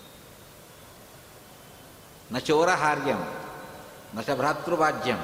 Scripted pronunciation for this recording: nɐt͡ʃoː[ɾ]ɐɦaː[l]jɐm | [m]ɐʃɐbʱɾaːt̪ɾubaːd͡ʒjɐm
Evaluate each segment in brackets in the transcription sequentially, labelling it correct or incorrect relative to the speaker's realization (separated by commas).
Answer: correct, incorrect, incorrect